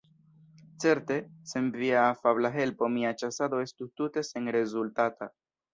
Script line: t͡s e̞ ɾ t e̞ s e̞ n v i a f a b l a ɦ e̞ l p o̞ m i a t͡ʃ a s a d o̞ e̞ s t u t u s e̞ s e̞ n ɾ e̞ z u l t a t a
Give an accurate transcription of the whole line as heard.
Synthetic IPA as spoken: t͡s e̞ ɾ t e̞ s e̞ n v i a f a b l a ɦ e̞ l p o̞ m i a t͡ʃ a s a d o̞ e̞ s t u t u t e̞ s e̞ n ɾ e̞ z u l t a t a